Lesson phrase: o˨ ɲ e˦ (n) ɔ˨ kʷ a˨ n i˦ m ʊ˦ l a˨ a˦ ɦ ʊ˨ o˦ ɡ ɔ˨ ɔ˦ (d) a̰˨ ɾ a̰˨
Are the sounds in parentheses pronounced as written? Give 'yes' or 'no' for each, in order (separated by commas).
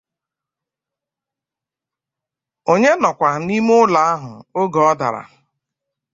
yes, yes